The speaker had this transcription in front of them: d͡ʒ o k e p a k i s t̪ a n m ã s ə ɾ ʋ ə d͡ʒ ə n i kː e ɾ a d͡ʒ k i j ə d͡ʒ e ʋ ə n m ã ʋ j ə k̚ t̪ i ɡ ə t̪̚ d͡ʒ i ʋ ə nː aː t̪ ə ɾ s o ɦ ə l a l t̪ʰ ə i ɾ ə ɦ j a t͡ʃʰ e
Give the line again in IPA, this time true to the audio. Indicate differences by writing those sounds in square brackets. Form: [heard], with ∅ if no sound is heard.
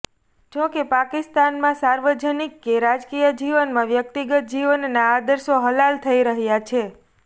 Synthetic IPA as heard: d͡ʒ o k e p a k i s t̪ a n m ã s [a] ɾ ʋ ə d͡ʒ ə n i kː e ɾ a d͡ʒ k i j ə d͡ʒ [i] ʋ ə n m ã ʋ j ə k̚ t̪ i ɡ ə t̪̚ d͡ʒ i ʋ ə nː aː [d̪] ə ɾ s o ɦ ə l a l t̪ʰ ə i ɾ ə ɦ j a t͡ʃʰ e